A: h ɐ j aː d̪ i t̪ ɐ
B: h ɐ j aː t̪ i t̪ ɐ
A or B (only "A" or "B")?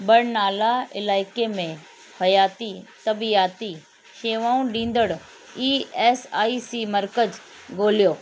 B